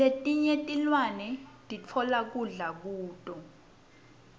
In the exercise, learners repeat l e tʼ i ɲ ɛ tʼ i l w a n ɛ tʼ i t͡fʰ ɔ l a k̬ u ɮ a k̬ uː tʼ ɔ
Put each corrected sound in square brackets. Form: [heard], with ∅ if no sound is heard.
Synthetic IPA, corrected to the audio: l e tʼ i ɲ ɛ tʼ i l w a n ɛ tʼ i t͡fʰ ɔ l a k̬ u ɮ a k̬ uː tʼ ɔ